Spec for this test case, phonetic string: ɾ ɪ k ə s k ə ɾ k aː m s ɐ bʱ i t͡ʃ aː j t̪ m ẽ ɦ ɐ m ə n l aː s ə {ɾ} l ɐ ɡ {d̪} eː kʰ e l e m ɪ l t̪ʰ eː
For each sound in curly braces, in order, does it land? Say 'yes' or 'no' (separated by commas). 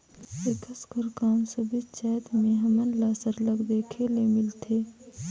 yes, yes